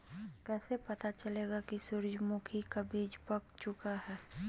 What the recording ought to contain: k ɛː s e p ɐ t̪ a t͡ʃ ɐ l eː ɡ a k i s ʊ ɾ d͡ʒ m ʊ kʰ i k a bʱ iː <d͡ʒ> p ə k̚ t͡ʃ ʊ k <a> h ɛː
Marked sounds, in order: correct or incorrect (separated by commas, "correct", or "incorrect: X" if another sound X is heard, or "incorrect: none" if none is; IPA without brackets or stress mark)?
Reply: correct, correct